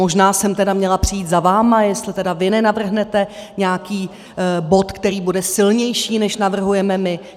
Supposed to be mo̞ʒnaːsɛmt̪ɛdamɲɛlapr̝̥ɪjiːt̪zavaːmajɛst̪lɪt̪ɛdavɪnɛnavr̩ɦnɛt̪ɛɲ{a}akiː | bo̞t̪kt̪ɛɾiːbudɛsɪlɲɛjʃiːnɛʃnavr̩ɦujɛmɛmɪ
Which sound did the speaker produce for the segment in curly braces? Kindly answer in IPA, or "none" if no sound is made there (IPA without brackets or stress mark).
ɛ